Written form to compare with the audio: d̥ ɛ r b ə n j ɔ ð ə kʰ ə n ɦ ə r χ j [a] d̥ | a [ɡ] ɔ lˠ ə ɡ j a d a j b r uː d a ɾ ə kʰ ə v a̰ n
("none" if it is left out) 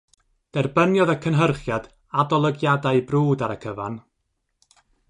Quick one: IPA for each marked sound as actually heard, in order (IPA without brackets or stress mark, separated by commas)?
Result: a, d